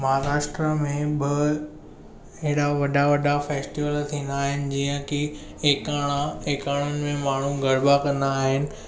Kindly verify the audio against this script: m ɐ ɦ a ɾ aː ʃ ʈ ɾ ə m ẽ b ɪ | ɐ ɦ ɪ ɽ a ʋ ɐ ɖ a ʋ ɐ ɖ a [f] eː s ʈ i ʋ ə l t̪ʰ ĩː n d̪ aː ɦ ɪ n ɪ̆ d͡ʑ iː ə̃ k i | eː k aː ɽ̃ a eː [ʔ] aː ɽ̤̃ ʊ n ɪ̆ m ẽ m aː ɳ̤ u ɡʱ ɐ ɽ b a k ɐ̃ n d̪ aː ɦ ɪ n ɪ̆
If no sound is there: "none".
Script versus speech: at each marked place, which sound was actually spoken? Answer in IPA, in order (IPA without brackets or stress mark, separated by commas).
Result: f, k